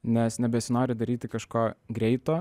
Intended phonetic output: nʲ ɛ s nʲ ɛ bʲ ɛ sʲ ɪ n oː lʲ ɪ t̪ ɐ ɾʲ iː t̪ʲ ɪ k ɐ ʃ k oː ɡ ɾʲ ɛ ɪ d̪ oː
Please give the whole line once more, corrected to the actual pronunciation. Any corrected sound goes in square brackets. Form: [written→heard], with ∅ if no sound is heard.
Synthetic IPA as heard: nʲ ɛ s nʲ ɛ bʲ ɛ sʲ ɪ n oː [lʲ→ɾʲ] ɪ [t̪→d̪] ɐ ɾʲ iː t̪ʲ ɪ k ɐ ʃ k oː ɡ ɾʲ ɛ ɪ [d̪→t̪] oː

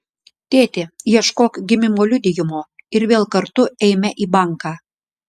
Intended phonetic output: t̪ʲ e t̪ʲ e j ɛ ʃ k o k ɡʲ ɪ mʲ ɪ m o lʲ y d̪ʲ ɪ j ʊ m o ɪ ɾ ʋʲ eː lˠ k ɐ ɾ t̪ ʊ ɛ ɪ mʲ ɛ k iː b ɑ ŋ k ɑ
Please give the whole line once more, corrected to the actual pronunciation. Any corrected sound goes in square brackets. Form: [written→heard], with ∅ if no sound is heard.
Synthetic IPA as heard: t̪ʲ e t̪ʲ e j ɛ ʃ k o k ɡʲ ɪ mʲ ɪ m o lʲ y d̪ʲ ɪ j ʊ m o ɪ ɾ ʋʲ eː lˠ k ɐ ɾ t̪ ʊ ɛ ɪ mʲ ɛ [k→ʔ] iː b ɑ ŋ k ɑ

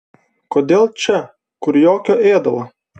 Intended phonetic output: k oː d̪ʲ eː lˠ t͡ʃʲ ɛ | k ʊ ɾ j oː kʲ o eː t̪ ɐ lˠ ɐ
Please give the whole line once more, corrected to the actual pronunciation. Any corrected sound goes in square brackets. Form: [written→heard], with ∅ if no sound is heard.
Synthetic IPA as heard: k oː d̪ʲ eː lˠ t͡ʃʲ ɛ | k ʊ ɾ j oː kʲ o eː [t̪→d̪] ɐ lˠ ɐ

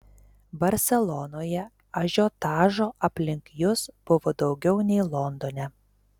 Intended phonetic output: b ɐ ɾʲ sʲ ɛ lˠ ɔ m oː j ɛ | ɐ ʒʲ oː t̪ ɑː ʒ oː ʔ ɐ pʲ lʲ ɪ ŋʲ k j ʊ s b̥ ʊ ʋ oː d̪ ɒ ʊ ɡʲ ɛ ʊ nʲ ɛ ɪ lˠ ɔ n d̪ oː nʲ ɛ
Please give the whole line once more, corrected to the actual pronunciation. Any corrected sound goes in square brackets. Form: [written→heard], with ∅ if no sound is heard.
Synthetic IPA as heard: b ɐ ɾʲ sʲ ɛ lˠ ɔ [m→n] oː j ɛ | ɐ ʒʲ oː t̪ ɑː ʒ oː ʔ ɐ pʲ lʲ ɪ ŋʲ k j ʊ s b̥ ʊ ʋ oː d̪ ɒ ʊ ɡʲ ɛ ʊ nʲ ɛ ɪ lˠ ɔ n d̪ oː nʲ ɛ

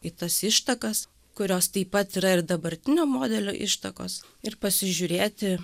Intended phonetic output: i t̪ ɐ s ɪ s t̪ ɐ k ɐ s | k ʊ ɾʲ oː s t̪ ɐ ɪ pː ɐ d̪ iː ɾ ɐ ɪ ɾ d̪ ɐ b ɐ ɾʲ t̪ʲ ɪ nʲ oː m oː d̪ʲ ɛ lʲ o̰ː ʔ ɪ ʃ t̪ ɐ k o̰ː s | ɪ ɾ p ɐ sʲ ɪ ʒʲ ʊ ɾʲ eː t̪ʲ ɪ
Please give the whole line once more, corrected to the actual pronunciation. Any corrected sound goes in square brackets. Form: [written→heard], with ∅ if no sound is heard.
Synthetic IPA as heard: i t̪ ɐ s ɪ [s→ʃ] t̪ ɐ k ɐ s | k ʊ ɾʲ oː s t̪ ɐ ɪ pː ɐ [d̪→t̪] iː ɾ ɐ ɪ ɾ d̪ ɐ b ɐ ɾʲ t̪ʲ ɪ nʲ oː m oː d̪ʲ ɛ lʲ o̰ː ʔ ɪ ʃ t̪ ɐ k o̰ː s | ɪ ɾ p ɐ sʲ ɪ ʒʲ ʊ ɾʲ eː t̪ʲ ɪ

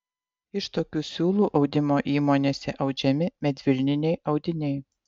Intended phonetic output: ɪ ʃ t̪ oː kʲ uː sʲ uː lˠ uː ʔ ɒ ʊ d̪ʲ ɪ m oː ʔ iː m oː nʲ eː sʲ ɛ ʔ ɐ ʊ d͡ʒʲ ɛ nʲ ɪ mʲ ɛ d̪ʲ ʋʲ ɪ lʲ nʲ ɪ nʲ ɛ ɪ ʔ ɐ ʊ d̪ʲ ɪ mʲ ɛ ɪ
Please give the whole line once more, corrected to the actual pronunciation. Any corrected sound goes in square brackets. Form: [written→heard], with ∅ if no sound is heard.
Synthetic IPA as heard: ɪ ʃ t̪ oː kʲ uː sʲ uː lˠ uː ʔ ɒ ʊ d̪ʲ ɪ m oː ʔ iː m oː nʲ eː sʲ ɛ ʔ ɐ ʊ d͡ʒʲ ɛ [nʲ→mʲ] ɪ mʲ ɛ d̪ʲ ʋʲ ɪ lʲ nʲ ɪ nʲ ɛ ɪ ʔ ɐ ʊ d̪ʲ ɪ [mʲ→nʲ] ɛ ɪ

